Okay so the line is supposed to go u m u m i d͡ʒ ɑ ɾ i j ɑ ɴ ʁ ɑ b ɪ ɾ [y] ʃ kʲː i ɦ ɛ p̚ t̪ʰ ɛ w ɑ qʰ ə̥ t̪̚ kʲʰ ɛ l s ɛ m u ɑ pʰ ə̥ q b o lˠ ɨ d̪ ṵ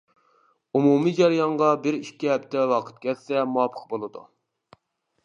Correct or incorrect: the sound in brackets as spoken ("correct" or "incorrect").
incorrect